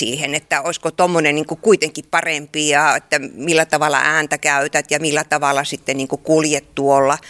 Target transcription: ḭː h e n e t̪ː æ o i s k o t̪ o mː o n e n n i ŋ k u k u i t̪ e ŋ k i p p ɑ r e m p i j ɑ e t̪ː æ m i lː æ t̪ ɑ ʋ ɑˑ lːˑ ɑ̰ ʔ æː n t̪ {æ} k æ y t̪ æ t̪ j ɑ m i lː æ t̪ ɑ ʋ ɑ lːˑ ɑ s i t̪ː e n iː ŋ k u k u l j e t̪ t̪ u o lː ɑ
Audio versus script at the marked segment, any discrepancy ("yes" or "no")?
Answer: no